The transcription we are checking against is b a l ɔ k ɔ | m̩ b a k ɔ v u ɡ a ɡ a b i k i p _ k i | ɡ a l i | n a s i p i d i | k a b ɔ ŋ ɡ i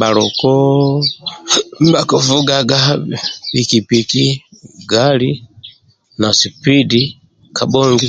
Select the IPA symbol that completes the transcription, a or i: i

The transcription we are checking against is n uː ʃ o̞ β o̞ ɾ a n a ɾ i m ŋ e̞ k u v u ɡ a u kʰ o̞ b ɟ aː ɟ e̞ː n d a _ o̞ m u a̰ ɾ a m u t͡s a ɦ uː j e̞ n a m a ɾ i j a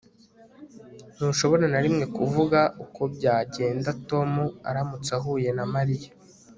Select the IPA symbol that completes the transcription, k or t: t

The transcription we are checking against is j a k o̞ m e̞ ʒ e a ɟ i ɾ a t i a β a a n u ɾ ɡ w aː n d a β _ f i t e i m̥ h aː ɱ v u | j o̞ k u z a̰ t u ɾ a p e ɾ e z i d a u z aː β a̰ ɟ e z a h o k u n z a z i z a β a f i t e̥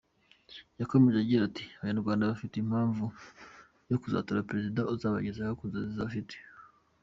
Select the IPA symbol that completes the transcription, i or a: a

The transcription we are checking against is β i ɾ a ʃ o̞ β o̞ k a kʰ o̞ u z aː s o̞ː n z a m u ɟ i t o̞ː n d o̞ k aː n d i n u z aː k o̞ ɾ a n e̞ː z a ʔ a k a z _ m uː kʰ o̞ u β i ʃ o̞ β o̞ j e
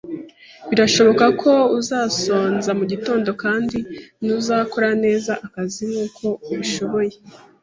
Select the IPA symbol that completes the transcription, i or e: i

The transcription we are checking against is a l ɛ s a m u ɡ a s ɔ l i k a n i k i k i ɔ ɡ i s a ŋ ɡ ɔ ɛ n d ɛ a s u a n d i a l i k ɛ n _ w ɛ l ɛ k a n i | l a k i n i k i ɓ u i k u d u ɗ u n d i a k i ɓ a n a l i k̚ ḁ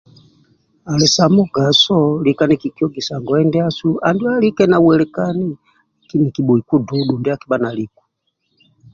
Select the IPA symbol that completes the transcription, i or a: a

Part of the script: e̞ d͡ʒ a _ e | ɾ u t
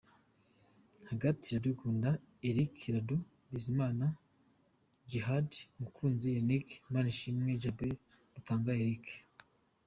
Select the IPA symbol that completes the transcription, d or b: b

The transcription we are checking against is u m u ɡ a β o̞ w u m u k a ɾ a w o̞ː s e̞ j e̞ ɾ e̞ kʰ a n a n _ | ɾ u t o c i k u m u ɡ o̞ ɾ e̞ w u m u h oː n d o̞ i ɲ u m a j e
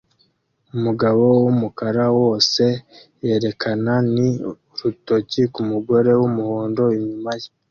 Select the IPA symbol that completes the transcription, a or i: i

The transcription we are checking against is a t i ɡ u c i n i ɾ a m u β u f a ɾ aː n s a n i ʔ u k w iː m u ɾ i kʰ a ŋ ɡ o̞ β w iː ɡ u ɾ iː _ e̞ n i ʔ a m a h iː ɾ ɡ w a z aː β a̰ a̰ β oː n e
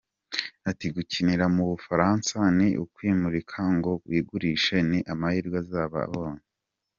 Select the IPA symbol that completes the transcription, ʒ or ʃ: ʃ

